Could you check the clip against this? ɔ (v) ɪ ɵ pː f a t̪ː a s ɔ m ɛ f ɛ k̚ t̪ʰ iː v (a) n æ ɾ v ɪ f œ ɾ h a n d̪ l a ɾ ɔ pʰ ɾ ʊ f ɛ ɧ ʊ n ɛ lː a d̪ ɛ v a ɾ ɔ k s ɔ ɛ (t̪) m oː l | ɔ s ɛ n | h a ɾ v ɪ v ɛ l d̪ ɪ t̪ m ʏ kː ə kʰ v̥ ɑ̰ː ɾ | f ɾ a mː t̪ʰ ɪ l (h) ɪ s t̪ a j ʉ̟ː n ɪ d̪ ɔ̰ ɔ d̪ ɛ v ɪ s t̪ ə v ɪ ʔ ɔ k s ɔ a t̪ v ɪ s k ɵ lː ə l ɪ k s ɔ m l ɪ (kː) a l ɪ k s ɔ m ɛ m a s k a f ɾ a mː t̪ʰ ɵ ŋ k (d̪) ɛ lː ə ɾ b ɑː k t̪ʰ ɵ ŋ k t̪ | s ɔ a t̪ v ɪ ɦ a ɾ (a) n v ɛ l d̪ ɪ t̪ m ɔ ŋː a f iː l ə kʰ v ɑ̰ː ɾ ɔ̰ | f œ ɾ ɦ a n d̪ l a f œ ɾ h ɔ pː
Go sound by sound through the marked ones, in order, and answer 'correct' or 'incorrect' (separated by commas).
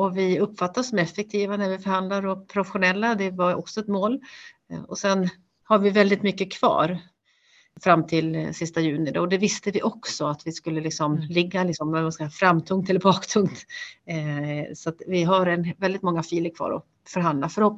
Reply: correct, correct, correct, incorrect, incorrect, incorrect, incorrect